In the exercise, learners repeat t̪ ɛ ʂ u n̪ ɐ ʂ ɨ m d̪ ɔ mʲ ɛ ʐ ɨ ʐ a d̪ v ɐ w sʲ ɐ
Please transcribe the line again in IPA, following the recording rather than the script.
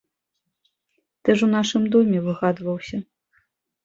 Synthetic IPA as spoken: t̪ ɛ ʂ u n̪ a ʂ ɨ m d̪ ɔ mʲ ɛ v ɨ ɣ a d̪ v ɐ w sʲ ɐ